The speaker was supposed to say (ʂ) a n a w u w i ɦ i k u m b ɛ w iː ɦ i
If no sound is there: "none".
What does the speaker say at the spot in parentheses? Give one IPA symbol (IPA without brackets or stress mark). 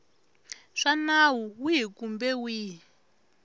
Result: ʂ